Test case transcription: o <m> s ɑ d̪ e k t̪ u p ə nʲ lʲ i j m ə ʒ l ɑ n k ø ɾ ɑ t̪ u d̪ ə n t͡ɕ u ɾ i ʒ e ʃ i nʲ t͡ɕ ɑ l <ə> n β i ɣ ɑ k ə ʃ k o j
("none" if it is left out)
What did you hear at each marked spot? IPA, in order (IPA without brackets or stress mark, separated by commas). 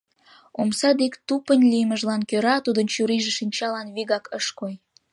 m, ɑ